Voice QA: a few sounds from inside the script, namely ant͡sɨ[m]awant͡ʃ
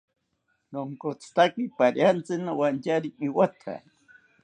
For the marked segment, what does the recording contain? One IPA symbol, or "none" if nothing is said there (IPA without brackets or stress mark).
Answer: n